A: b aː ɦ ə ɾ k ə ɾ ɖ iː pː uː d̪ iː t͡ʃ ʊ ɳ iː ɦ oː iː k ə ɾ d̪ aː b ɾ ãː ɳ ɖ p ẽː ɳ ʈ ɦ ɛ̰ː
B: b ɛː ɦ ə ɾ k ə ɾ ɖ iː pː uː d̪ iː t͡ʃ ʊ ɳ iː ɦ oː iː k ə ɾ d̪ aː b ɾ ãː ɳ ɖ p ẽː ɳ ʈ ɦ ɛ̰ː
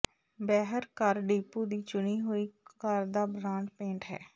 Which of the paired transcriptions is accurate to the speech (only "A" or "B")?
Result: B